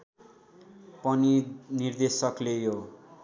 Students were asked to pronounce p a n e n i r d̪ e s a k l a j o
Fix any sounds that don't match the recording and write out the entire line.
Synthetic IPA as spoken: p ʌ n i n i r d̪ e s ʌ k l e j o